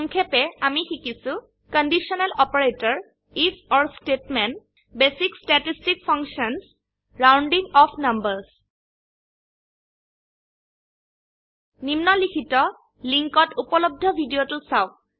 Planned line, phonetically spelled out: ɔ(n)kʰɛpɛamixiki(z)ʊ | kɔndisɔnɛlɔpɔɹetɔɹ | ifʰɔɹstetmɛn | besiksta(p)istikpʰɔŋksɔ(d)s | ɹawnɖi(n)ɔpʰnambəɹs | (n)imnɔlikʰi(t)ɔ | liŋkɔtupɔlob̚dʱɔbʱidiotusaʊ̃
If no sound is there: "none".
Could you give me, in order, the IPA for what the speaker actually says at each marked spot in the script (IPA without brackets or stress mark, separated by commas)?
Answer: ŋ, s, t, n, ŋ, n, t